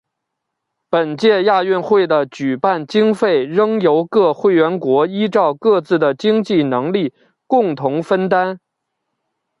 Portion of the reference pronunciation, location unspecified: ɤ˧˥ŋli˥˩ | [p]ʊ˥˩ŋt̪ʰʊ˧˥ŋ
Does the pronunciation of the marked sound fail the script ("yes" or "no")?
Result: yes